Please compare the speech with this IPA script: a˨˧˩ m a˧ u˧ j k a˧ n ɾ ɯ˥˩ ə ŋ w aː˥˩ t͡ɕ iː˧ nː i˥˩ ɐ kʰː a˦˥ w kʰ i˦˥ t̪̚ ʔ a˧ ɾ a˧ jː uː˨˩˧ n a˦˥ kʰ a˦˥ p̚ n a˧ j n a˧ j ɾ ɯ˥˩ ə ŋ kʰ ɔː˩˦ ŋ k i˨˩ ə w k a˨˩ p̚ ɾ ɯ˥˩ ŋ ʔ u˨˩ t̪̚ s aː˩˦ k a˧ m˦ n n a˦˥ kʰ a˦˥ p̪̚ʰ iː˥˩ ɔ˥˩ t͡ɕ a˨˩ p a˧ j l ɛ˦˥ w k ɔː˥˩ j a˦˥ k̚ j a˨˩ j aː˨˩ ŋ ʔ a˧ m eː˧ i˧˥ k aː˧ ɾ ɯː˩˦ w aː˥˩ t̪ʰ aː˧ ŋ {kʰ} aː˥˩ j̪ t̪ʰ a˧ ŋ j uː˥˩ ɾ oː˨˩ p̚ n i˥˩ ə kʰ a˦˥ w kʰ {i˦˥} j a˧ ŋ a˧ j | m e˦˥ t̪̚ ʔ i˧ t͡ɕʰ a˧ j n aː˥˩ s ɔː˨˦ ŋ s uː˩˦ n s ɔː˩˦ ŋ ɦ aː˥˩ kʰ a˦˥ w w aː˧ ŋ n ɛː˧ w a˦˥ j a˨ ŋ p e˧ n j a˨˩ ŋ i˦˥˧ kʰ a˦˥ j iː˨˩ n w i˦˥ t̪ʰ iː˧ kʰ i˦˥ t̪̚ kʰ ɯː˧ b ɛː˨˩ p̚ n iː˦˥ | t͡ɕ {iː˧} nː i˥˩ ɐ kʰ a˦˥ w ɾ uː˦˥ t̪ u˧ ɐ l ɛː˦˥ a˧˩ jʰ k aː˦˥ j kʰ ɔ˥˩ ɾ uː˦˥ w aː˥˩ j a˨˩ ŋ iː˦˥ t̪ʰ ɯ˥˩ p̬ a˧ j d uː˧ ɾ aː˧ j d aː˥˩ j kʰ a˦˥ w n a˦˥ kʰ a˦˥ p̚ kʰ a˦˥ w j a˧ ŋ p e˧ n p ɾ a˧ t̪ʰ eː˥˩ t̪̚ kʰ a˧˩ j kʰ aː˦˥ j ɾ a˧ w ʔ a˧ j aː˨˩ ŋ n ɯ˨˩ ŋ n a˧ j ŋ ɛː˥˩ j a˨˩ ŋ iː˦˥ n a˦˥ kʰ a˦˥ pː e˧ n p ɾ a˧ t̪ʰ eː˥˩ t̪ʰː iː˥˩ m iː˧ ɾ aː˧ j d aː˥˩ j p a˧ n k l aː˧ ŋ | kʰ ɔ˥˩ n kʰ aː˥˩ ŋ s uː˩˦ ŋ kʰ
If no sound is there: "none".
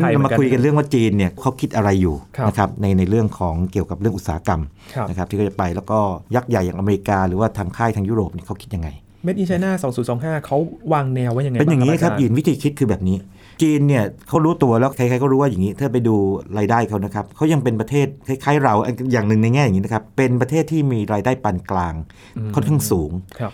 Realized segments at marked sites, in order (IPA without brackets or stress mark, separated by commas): kʰ, i˦˥, iː˧